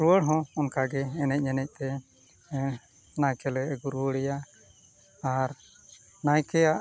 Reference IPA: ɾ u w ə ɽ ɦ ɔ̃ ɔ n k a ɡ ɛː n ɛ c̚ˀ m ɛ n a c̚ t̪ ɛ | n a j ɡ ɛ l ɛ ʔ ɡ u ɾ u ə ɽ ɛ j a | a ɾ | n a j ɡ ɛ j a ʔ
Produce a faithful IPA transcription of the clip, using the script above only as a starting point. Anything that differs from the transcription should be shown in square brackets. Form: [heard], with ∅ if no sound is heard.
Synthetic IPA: ɾ u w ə ɽ ɦ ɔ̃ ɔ n k a ɡ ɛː n ɛ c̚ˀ [ɲ] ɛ n [ɛ] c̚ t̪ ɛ | n a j [k] ɛ l ɛ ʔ ɡ u ɾ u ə ɽ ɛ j a | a ɾ | n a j [k] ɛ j a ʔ